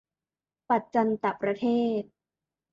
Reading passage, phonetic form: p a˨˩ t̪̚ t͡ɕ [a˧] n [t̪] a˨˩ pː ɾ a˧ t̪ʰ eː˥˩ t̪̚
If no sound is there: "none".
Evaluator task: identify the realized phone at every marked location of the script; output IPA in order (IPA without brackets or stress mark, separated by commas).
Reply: a˧, t̪